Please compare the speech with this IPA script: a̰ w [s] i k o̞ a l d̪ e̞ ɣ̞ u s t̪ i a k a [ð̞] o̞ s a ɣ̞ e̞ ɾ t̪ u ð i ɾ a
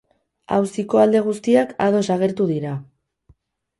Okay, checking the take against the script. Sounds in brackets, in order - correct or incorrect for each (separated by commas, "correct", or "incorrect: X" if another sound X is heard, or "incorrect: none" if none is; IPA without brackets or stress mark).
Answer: correct, correct